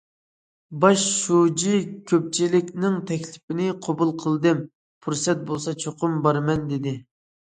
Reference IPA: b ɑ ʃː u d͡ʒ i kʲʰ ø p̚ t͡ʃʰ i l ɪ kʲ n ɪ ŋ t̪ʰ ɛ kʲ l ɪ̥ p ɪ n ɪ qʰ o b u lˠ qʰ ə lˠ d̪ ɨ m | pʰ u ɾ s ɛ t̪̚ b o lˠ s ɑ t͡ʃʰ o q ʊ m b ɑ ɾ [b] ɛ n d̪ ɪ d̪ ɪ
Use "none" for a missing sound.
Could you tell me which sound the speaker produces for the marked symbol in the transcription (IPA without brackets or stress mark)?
m